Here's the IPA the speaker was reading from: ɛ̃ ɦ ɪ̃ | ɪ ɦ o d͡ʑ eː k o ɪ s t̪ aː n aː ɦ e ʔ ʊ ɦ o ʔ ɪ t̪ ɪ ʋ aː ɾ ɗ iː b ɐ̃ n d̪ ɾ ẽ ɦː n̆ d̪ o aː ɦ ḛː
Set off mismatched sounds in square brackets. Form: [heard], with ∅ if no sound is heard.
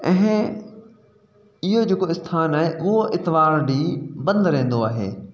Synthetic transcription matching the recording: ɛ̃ ɦ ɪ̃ | ɪ ɦ o d͡ʑ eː k o ɪ s [t̪ʰ] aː n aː ɦ e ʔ ʊ ɦ o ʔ ɪ t̪ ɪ ʋ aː ɾ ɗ iː b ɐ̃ n d̪ ɾ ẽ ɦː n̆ d̪ o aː ɦ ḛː